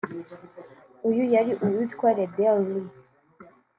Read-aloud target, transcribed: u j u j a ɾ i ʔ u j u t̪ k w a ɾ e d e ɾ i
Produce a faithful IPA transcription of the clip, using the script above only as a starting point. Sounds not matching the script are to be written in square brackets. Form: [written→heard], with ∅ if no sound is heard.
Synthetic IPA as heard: u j u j a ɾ i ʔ u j u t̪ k w a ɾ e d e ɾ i